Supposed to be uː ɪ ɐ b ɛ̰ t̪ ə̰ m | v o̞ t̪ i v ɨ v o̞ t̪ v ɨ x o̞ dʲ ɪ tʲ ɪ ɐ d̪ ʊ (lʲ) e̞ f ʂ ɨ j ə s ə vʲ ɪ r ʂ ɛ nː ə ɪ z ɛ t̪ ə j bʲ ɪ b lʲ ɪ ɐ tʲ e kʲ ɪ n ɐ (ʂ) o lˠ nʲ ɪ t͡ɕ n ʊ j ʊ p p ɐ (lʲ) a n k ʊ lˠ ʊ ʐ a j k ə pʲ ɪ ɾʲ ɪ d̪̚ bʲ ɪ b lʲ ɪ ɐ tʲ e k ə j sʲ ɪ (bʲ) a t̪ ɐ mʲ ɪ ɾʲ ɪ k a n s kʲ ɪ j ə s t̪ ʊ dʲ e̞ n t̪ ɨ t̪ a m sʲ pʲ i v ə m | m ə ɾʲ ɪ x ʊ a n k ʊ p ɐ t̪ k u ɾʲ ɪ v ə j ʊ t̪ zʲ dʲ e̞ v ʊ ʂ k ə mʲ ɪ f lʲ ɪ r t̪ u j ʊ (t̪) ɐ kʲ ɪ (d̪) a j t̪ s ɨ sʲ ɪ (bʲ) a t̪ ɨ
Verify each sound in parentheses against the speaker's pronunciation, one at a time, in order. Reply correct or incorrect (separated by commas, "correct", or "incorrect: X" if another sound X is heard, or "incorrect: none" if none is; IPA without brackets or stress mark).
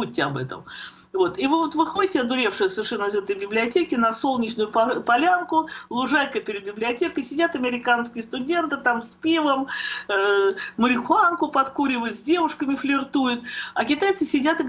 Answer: incorrect: ɾʲ, incorrect: s, correct, incorrect: dʲ, correct, incorrect: t̪, incorrect: dʲ